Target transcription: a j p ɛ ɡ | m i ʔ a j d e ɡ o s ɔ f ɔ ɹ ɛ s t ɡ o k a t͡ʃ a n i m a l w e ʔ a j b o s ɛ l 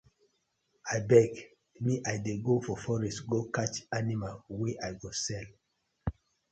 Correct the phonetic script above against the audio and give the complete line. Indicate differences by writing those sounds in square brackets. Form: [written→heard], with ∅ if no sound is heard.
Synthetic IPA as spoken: a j [p→b] ɛ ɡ | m i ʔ a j d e ɡ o [s→f] ɔ f ɔ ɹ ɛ s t ɡ o k a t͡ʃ a n i m a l w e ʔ a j [b→ɡ] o s ɛ l